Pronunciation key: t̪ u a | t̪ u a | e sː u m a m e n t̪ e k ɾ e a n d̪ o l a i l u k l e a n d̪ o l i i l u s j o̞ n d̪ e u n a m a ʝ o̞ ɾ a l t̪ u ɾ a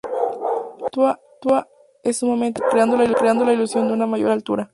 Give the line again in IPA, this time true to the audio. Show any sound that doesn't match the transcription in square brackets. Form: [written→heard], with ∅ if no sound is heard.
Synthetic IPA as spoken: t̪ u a | t̪ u a | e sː u m a m e n t̪ e k ɾ e a n d̪ o l a i l u k [l→ɾ] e a n d̪ o l [i→a] i l u s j o̞ n d̪ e u n a m a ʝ o̞ ɾ a l t̪ u ɾ a